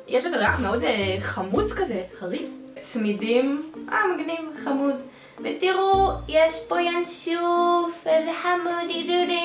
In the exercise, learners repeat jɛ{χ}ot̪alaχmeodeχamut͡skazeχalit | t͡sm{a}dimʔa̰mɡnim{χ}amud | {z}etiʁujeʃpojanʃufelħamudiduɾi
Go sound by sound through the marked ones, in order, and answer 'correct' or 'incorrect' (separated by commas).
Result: incorrect, incorrect, correct, incorrect